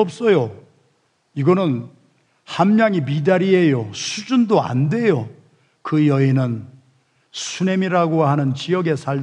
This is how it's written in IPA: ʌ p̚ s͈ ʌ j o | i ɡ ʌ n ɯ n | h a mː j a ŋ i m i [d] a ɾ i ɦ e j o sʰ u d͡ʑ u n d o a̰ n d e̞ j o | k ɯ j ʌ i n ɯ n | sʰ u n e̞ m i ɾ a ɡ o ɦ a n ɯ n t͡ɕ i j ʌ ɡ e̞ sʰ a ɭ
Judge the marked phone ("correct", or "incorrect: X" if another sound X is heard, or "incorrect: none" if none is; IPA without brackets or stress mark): correct